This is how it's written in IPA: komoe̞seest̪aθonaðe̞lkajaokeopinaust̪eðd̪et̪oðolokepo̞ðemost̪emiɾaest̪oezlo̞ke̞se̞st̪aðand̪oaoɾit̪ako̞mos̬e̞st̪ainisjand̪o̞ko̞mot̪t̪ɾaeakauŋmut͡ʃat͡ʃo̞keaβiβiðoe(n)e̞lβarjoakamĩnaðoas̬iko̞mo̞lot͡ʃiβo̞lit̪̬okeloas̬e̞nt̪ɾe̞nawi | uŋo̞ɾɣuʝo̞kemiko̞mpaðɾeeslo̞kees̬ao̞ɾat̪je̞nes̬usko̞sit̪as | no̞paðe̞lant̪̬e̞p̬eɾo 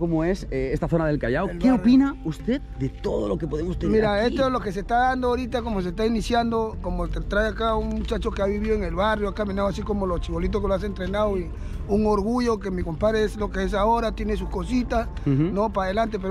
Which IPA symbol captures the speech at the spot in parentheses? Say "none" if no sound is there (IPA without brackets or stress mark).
ŋ